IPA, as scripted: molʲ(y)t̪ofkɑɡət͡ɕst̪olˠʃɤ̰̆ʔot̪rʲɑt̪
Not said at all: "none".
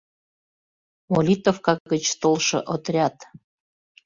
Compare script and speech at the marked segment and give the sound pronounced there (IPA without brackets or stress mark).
i